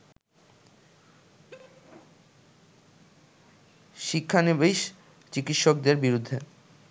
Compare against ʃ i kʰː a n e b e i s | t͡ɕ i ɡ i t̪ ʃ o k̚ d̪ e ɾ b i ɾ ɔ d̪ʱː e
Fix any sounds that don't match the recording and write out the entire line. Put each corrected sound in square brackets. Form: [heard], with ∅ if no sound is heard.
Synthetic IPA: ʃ i kʰː a n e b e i [ʃ] | t͡ɕ i [k] i t̪ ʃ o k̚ d̪ e ɾ b i ɾ [u] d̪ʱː e